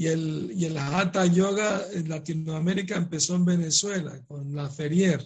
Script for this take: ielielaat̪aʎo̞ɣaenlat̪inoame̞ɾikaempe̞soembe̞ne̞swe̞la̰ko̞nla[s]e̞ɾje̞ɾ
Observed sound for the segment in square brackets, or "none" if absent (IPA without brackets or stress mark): f